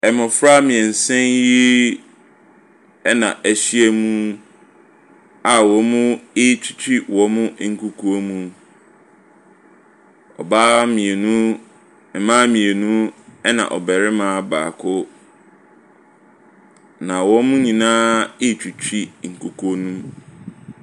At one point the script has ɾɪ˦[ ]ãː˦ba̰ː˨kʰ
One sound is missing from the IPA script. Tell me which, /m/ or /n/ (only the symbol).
m